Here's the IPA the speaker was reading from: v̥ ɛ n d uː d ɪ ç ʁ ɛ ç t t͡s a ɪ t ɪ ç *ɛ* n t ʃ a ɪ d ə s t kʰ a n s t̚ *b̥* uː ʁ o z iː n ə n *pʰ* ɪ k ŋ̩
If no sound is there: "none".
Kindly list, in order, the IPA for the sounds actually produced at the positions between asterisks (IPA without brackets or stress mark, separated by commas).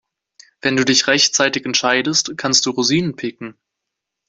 ɛ, d̥, pʰ